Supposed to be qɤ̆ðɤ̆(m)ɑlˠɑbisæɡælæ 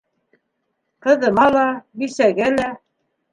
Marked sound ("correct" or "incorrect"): correct